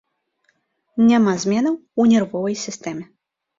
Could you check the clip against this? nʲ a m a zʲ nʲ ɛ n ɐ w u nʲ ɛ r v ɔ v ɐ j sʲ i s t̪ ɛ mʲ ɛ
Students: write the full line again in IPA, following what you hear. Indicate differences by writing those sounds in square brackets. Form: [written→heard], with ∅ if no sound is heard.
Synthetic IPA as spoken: nʲ a m a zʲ [nʲ→mʲ] ɛ n ɐ w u nʲ ɛ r v ɔ v ɐ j sʲ i s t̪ ɛ mʲ ɛ